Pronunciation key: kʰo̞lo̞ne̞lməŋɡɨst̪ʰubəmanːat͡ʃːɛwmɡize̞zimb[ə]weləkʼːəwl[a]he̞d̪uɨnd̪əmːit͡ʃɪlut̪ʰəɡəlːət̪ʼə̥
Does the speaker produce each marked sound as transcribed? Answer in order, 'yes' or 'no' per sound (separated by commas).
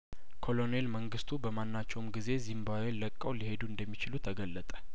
no, no